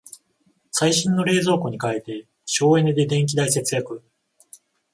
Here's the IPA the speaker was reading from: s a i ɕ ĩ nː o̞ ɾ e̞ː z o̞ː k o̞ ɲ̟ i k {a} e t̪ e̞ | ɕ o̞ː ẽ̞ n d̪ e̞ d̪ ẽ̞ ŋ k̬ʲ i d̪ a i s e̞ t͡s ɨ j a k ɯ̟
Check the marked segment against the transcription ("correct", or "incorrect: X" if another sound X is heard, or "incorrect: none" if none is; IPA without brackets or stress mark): correct